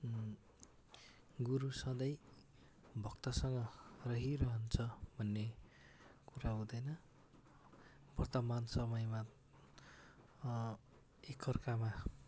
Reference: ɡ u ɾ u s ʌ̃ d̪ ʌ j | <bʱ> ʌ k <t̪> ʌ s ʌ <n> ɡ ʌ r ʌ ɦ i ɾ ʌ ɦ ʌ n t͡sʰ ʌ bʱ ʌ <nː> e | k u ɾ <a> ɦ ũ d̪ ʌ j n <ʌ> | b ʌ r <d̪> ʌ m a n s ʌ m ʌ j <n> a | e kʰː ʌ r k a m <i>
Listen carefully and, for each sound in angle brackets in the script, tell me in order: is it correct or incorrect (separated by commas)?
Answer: correct, correct, incorrect, correct, correct, correct, incorrect, incorrect, incorrect